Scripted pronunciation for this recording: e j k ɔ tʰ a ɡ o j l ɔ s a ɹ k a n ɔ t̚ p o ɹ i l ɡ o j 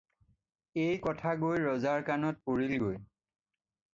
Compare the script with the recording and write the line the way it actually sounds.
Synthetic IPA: e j k ɔ tʰ a ɡ o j ɹ ɔ z a ɹ k a n ɔ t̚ p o ɹ i l ɡ o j